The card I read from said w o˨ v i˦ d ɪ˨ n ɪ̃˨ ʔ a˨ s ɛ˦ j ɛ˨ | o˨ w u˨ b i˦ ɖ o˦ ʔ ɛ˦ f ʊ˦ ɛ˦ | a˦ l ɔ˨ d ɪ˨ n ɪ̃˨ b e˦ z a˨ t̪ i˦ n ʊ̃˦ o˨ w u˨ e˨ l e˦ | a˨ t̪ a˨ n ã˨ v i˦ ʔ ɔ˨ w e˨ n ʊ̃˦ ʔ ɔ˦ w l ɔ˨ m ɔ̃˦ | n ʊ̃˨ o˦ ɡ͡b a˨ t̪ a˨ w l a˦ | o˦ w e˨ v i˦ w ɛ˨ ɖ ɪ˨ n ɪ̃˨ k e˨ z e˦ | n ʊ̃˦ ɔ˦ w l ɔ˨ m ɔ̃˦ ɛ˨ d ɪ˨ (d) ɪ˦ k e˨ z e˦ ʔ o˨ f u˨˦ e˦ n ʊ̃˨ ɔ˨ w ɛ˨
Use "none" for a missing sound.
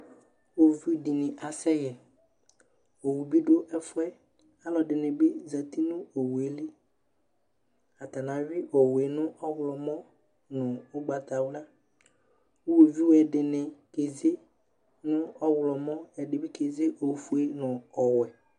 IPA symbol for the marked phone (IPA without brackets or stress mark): b